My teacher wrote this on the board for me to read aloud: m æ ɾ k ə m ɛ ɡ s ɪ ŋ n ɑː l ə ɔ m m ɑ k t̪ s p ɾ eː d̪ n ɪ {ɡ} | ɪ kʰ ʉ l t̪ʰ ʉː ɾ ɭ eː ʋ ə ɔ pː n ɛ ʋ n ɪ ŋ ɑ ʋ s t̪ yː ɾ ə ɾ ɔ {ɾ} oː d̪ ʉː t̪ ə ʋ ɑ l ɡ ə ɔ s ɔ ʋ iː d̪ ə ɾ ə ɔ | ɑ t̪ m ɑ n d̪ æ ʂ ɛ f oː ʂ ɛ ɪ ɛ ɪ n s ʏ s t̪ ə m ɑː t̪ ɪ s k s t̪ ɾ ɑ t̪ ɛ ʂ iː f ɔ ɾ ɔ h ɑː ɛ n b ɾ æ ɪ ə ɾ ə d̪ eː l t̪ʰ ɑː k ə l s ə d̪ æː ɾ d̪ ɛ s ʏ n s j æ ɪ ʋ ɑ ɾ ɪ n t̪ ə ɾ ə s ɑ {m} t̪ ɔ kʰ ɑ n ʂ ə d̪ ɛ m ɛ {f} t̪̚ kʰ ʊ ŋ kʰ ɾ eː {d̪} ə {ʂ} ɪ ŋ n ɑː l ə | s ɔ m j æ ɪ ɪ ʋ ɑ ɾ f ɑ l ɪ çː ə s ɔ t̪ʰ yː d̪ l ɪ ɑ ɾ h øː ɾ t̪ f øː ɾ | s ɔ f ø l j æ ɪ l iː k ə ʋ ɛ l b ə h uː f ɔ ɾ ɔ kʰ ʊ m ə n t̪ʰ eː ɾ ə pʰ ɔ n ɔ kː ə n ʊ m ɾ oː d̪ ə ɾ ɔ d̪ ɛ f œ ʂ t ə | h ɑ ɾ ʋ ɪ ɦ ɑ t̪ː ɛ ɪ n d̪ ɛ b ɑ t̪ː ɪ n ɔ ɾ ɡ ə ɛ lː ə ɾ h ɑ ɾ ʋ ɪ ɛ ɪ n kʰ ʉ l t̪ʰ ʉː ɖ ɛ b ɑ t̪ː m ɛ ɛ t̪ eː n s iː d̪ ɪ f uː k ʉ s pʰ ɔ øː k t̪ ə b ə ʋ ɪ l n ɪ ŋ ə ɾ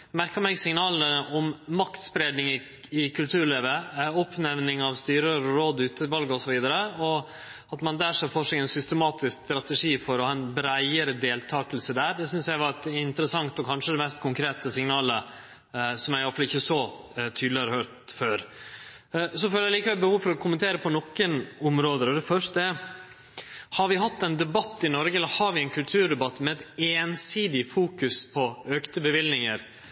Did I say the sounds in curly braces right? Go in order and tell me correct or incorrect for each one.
incorrect: ŋ, correct, incorrect: ŋ, incorrect: s, incorrect: t̪, incorrect: s

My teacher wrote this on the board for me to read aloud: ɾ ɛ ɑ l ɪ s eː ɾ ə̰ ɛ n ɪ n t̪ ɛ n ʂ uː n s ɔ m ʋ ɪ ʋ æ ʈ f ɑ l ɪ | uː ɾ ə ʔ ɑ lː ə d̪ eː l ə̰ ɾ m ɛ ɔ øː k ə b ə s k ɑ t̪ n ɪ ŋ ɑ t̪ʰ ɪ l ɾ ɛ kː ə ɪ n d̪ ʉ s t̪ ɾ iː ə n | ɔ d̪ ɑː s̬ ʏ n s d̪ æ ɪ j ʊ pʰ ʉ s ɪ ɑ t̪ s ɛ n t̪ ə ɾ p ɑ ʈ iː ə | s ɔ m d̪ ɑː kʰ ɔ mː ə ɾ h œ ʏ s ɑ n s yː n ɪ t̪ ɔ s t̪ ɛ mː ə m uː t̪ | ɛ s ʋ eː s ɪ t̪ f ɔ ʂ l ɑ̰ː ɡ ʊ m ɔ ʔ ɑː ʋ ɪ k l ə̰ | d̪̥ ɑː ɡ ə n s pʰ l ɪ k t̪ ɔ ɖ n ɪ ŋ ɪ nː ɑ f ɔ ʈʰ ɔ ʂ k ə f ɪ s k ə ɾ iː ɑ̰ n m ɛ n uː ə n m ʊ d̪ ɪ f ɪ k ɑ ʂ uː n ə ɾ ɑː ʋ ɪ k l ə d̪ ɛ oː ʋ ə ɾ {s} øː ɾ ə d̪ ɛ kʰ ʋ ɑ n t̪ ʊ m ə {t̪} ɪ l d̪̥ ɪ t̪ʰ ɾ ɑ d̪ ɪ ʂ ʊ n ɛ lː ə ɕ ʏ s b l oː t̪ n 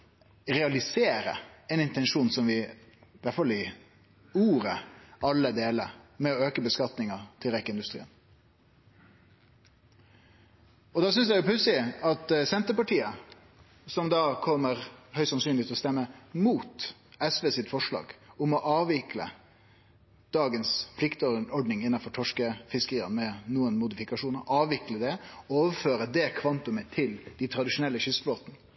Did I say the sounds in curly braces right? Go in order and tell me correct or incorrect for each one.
incorrect: f, incorrect: t̪ʰ

